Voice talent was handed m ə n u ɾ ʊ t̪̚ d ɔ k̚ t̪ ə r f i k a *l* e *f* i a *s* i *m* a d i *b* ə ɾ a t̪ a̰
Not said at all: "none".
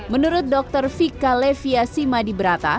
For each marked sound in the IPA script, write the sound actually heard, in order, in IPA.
l, f, s, m, b

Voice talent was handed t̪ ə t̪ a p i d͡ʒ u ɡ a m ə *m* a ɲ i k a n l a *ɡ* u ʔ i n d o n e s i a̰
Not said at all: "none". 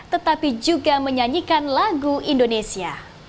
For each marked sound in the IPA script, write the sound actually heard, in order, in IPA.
ɲ, ɡ

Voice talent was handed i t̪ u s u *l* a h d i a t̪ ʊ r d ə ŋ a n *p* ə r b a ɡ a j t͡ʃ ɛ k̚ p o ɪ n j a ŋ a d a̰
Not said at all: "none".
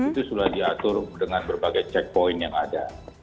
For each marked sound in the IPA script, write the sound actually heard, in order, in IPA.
l, b

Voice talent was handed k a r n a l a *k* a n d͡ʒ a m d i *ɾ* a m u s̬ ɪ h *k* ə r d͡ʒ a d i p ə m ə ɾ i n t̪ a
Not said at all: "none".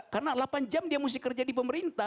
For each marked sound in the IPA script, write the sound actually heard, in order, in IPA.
p, none, k

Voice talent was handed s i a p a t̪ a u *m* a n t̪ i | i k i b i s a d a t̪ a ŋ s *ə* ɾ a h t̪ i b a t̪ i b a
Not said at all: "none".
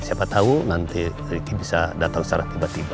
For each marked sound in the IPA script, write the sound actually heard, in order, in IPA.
n, a

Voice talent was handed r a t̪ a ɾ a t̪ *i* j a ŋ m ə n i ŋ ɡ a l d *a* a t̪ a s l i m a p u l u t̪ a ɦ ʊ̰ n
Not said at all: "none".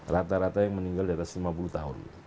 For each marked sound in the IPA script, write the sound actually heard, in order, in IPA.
a, i

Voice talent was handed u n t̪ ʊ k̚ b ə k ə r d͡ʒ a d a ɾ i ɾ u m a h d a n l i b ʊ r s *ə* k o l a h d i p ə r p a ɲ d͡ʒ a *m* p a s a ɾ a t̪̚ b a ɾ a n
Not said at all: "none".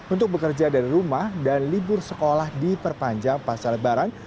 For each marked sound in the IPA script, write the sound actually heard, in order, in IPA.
ə, ŋ

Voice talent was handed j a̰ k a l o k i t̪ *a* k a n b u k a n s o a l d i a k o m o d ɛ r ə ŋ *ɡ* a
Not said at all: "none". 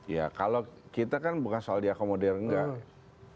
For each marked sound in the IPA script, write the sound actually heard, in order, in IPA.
a, ɡ

